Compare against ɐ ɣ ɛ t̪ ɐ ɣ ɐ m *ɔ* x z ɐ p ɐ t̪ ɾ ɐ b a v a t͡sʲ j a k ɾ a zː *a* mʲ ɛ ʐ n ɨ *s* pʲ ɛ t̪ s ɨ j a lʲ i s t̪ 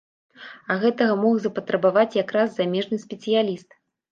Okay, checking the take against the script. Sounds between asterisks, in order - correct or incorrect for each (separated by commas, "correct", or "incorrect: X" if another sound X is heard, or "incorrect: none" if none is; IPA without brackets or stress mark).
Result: correct, correct, correct